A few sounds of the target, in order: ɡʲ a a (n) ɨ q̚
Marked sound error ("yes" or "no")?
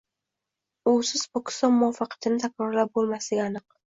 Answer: no